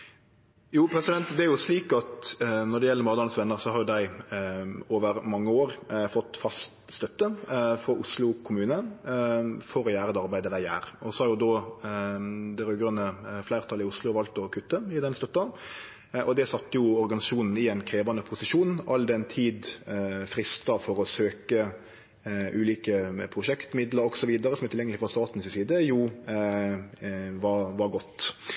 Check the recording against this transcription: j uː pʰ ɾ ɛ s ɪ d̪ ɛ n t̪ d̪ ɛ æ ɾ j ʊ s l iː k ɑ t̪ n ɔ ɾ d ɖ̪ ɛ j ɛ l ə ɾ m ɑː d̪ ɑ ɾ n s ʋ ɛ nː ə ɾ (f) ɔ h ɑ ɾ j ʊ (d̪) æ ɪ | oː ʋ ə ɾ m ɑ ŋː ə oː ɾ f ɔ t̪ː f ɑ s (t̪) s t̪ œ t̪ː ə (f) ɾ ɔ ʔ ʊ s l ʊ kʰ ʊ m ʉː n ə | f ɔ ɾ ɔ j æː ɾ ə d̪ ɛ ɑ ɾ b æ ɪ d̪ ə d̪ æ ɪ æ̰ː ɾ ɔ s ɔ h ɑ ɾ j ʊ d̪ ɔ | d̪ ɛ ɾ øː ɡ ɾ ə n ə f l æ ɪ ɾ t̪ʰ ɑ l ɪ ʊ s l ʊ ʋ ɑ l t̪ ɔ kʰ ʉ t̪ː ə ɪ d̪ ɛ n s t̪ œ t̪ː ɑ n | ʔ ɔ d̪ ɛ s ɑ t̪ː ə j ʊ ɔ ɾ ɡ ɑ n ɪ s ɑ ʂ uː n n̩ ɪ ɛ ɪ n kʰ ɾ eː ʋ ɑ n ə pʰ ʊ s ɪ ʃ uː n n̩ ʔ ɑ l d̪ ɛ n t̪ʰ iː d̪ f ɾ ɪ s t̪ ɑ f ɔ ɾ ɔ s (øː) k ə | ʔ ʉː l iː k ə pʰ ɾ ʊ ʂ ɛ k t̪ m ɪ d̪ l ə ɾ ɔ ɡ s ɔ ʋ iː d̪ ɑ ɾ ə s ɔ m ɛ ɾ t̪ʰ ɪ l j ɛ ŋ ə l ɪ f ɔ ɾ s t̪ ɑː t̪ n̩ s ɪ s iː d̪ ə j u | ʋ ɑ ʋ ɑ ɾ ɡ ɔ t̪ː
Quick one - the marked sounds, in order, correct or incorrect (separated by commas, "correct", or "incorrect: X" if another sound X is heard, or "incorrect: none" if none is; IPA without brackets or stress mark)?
incorrect: s, correct, correct, correct, correct